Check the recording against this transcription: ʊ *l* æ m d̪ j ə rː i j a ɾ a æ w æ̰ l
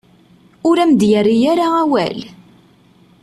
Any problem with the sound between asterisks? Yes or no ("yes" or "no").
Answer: yes